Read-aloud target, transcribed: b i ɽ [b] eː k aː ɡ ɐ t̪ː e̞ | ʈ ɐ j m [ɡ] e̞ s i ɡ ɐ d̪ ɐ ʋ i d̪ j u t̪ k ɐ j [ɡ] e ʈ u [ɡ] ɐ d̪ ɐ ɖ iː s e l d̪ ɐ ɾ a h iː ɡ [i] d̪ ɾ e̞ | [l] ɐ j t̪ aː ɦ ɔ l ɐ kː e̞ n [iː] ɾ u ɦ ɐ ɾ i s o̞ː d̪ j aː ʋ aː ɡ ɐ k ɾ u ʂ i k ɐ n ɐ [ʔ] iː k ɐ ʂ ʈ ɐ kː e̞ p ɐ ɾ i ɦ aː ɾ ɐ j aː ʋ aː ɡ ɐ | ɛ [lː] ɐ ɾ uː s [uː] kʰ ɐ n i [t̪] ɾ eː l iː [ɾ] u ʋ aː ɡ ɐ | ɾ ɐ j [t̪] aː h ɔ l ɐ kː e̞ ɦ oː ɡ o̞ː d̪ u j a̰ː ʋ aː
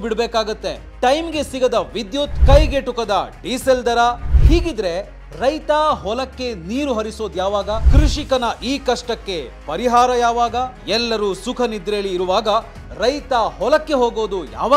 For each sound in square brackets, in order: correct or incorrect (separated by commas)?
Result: correct, correct, correct, incorrect, correct, incorrect, correct, correct, correct, incorrect, incorrect, correct, correct